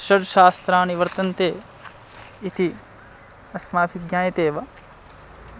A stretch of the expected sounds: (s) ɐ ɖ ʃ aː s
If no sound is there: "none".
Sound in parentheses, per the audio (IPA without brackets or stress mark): ʃ